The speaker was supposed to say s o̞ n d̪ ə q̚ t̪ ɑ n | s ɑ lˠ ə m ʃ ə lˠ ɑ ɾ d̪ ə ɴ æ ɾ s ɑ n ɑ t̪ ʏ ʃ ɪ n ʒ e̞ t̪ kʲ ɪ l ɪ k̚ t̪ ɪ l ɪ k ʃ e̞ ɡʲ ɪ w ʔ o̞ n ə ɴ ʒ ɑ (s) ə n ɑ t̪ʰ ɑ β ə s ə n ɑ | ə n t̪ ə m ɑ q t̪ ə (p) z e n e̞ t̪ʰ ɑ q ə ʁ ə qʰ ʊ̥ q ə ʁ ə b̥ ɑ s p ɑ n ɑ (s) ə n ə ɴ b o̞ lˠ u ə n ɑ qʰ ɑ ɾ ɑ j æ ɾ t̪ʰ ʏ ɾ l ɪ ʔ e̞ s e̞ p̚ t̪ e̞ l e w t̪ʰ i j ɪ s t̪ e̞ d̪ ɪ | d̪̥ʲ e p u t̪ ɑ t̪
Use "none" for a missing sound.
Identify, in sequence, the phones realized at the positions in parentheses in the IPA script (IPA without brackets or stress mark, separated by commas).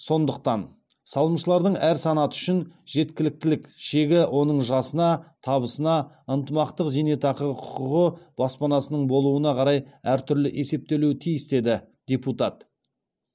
s, q, s